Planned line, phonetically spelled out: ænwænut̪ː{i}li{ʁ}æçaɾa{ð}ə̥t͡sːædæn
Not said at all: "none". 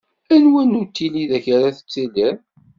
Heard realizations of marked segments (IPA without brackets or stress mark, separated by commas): i, ð, θ